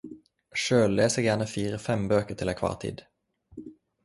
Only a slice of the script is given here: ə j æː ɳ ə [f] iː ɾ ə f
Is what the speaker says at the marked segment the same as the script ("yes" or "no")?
yes